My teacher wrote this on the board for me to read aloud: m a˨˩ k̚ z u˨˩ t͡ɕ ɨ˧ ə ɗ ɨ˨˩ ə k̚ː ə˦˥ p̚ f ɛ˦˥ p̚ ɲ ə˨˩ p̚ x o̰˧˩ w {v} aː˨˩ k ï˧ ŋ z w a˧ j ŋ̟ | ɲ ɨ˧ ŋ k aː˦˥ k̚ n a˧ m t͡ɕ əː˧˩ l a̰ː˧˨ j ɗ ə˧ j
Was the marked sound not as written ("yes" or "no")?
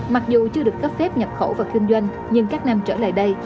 no